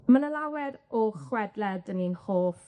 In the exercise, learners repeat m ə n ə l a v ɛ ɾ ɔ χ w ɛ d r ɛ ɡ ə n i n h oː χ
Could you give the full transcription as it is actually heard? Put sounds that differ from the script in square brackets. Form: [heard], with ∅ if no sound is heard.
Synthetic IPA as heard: m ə n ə l a [w] ɛ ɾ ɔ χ w ɛ d [l] ɛ [d] ə n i n h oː [f]